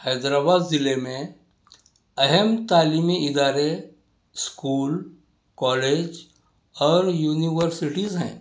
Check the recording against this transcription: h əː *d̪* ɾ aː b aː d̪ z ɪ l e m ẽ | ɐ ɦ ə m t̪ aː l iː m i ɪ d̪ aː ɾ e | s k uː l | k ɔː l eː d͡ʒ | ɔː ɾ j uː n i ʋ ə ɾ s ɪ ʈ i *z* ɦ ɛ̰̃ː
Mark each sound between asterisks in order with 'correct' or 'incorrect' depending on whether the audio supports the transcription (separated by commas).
correct, correct